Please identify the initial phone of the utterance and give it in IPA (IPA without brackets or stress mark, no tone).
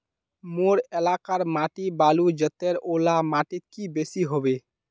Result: m